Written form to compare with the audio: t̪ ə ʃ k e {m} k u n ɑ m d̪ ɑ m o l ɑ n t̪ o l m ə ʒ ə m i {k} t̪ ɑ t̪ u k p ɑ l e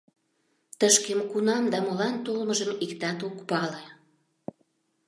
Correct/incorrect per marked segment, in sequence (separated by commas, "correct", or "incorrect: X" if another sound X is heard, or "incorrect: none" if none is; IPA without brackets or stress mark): correct, correct